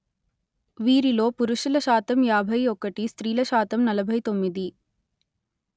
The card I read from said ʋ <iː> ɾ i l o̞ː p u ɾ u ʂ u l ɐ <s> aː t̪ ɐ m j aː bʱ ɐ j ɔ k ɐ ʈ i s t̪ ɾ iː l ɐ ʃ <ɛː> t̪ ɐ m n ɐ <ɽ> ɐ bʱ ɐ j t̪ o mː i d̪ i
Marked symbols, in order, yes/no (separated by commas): yes, no, no, no